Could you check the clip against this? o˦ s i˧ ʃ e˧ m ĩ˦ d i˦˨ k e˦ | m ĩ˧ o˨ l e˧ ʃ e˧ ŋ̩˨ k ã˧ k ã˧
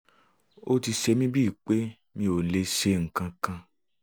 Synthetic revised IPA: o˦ t i˧ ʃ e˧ m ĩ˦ b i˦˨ k͡p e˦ | m ĩ˧ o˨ l e˧ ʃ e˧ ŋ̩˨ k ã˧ k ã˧